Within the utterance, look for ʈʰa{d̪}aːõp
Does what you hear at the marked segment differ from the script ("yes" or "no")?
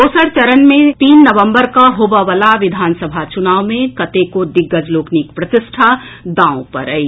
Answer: no